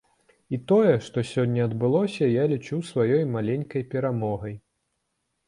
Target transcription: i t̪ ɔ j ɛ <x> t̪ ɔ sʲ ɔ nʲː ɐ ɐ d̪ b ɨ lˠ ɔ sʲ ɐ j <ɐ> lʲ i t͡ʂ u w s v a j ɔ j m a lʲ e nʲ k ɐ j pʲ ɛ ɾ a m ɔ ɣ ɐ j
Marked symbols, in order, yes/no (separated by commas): no, no